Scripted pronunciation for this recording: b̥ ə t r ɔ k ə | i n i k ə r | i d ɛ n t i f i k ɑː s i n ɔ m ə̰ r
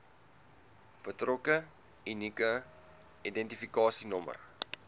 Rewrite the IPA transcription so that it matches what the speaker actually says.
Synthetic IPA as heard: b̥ ə t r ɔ k ə | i n i k ə | i d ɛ n t i f i k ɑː s i n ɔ m ə̰ r